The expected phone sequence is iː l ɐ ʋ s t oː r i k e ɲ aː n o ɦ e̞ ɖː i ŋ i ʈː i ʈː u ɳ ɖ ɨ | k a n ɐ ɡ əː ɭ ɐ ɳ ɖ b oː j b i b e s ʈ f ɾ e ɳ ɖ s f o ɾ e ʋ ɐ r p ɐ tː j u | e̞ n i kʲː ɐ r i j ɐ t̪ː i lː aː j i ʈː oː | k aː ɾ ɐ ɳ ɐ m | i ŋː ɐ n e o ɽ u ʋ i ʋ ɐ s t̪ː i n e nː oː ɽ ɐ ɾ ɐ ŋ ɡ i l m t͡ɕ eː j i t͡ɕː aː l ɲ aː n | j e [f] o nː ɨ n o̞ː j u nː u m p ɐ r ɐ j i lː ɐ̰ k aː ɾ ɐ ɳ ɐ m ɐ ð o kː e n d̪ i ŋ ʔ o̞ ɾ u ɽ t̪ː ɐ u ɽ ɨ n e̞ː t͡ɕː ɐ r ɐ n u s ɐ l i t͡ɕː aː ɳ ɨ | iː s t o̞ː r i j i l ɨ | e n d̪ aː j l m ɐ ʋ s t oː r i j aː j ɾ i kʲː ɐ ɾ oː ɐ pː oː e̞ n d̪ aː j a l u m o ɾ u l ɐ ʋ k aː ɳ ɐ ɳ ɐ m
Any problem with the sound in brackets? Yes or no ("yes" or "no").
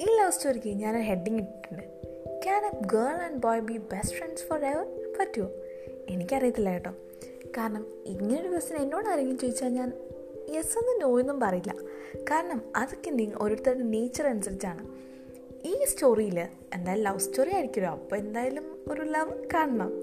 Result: yes